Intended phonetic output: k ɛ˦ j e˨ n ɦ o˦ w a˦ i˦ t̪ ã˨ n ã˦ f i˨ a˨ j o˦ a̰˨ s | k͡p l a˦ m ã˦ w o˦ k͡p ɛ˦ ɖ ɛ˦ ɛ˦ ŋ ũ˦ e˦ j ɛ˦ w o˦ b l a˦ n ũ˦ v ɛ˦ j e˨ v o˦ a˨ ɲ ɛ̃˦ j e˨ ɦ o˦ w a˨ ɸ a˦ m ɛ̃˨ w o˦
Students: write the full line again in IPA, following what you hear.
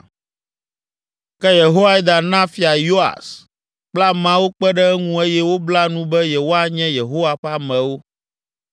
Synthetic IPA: k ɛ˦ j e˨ ɦ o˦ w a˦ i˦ d̪ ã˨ n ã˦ f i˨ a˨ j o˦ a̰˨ s | k͡p l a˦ m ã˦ w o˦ k͡p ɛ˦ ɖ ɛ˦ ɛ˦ ŋ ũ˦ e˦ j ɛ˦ w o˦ b l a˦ n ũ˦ b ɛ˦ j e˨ w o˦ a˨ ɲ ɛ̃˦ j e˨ ɦ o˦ w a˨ ɸ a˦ m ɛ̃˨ w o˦